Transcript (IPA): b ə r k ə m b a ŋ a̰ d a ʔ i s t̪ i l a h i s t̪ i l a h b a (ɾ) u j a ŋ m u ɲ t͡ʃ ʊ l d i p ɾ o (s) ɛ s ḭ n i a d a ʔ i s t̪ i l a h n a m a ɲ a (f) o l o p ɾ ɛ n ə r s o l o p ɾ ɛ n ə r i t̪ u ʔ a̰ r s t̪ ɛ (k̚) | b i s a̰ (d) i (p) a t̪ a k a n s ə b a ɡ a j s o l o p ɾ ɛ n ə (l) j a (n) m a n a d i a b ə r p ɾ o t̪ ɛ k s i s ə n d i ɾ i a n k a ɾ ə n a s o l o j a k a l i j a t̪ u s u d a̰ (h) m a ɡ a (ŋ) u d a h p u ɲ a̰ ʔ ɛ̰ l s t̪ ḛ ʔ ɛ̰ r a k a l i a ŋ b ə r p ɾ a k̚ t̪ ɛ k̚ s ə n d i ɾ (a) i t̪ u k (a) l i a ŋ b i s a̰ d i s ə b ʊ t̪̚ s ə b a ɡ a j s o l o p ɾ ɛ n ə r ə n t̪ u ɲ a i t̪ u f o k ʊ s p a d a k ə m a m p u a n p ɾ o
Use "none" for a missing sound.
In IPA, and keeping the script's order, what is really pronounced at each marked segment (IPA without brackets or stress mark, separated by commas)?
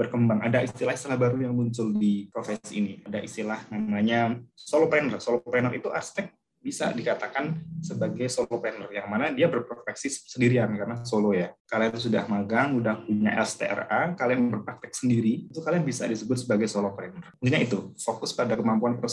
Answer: ɾ, f, s, k̚, d, k, r, ŋ, h, ŋ, i, a